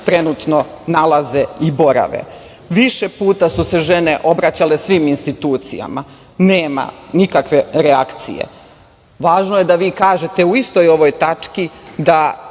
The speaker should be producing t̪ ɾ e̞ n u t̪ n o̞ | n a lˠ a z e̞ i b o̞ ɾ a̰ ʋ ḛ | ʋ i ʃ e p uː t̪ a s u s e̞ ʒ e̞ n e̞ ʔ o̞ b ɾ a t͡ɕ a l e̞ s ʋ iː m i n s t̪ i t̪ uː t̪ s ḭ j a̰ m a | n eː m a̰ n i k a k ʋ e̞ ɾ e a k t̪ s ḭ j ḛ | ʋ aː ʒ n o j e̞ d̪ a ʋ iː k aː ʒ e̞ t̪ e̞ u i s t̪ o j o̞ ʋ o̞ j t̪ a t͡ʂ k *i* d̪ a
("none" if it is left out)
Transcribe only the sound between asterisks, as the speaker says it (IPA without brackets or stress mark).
i